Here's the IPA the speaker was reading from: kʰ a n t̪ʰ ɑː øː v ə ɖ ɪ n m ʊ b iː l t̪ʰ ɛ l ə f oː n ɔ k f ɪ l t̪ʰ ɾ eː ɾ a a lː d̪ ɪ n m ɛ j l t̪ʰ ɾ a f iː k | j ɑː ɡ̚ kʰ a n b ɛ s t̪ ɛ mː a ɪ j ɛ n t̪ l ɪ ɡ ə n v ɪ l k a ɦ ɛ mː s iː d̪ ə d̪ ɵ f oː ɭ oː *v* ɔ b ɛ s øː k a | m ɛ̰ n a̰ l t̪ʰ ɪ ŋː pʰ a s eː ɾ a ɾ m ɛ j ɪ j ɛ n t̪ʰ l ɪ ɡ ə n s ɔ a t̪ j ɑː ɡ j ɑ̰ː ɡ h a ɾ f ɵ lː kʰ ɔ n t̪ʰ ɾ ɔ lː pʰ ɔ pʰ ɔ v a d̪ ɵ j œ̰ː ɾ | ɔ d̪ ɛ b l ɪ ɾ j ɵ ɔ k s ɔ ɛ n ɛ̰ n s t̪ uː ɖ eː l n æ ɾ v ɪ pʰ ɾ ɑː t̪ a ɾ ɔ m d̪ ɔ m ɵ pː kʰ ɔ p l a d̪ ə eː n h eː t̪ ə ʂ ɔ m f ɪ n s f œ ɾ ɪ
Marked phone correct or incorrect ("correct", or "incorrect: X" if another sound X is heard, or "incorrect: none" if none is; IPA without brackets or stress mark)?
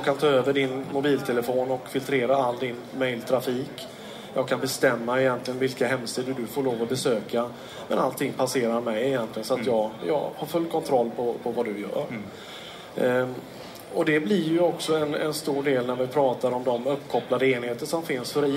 correct